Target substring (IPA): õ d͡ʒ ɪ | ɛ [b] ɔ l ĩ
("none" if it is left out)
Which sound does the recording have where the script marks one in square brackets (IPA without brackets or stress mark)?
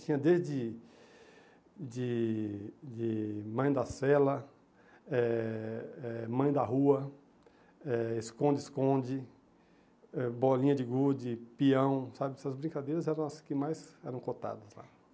b